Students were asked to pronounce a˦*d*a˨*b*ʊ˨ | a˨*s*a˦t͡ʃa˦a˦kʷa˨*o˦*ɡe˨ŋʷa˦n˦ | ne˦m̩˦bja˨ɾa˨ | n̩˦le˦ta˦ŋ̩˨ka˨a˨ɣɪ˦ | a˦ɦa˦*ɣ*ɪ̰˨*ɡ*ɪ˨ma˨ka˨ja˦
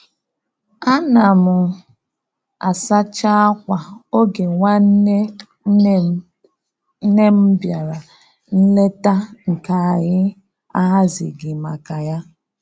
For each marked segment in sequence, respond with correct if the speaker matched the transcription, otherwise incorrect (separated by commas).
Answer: incorrect, incorrect, correct, correct, incorrect, correct